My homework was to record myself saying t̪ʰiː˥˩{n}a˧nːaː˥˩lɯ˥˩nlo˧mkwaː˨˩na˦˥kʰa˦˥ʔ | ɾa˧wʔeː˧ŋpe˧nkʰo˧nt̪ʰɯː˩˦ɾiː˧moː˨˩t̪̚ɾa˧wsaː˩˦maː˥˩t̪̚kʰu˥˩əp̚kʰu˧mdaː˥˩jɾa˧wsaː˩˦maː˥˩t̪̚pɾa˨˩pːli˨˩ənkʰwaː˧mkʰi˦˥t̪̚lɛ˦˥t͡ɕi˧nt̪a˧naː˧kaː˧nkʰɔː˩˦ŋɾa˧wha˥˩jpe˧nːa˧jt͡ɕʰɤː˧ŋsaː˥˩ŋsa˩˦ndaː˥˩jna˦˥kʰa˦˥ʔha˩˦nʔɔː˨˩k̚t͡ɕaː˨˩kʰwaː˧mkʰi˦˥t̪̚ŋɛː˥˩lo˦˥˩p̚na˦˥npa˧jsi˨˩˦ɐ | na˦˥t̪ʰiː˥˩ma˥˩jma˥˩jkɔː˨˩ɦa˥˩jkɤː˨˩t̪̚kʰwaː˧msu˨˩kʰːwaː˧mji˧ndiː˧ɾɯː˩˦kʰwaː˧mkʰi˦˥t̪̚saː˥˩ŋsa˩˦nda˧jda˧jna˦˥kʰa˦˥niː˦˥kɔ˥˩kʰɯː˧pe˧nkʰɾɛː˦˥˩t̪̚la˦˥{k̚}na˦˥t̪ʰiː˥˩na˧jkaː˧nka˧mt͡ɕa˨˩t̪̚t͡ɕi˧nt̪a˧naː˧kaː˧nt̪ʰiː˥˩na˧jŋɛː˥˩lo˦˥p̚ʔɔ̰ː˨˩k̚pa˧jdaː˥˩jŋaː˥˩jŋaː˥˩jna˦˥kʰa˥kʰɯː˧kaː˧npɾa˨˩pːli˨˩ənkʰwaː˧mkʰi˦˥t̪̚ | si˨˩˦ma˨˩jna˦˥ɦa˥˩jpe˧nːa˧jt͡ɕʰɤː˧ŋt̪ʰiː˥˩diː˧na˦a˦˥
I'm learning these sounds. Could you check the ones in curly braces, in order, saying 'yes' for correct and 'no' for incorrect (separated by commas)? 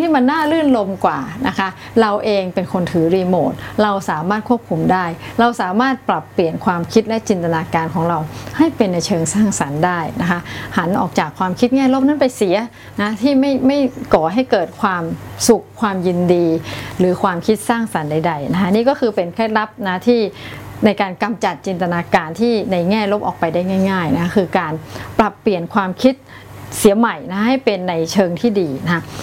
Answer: no, no